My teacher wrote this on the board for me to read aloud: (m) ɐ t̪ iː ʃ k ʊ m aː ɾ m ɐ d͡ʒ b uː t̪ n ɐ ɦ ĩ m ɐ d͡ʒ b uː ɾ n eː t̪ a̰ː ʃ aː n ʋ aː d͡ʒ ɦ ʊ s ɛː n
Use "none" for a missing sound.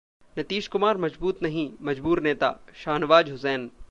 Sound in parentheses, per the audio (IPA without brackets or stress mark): n